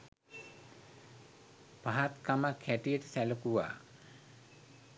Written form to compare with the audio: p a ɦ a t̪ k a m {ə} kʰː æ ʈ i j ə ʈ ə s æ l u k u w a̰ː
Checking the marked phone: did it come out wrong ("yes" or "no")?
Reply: yes